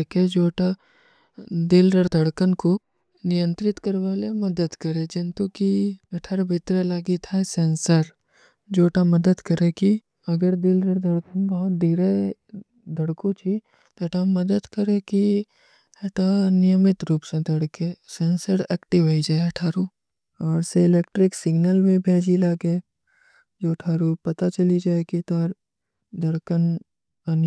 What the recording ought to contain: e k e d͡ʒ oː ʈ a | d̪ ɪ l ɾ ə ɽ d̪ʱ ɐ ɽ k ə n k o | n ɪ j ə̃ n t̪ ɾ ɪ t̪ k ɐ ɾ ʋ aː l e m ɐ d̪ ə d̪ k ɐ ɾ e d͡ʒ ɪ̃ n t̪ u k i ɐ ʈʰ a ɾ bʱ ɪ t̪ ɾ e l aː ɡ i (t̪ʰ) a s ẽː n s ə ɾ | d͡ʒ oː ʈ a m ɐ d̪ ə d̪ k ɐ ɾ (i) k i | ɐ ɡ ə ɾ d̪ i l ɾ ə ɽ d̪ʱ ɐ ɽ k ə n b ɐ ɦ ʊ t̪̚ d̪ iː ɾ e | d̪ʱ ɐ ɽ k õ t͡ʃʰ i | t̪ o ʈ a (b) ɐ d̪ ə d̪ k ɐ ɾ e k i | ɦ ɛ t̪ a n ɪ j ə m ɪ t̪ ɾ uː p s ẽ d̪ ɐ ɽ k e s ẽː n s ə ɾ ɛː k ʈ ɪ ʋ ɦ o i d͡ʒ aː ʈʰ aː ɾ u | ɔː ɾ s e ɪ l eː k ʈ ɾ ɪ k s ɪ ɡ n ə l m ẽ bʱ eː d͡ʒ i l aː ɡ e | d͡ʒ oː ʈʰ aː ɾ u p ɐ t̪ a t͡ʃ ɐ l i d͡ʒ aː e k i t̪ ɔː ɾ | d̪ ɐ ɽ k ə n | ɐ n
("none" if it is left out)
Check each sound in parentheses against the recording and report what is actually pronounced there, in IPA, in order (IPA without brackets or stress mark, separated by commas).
t̪ʰ, e, m